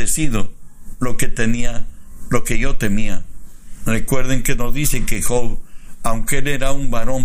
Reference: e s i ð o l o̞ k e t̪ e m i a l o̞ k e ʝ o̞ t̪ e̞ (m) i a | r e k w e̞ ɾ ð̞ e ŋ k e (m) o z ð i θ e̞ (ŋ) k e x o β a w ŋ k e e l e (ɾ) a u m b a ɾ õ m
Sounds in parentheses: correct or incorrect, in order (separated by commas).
correct, incorrect, correct, correct